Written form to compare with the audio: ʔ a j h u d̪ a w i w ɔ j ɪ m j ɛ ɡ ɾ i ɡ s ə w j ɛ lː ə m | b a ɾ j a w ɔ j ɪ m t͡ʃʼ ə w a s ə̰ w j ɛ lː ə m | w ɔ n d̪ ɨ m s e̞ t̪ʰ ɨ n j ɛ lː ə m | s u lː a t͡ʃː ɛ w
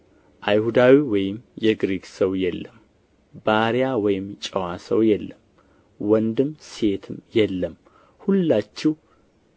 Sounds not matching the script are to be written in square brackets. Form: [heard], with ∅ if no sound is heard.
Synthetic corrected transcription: ʔ a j h u d̪ a w i w ɔ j ɪ m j ɛ ɡ ɾ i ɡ s ə w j ɛ lː ə m | b a ɾ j a w ɔ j ɪ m t͡ʃʼ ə w a s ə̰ w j ɛ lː ə m | w ɔ n d̪ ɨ m s e̞ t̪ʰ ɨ [m] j ɛ lː ə m | [h] u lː a t͡ʃː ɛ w